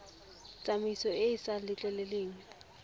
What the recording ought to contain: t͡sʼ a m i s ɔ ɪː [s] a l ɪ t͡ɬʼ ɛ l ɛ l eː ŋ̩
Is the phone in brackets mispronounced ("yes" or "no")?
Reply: no